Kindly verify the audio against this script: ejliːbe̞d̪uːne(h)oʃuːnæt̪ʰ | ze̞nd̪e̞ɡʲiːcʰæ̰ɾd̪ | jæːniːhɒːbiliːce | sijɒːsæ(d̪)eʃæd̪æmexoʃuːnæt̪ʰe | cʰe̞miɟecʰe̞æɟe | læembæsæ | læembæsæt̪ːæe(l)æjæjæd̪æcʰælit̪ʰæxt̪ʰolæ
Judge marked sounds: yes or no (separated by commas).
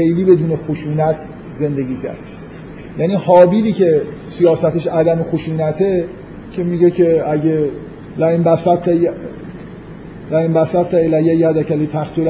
no, no, yes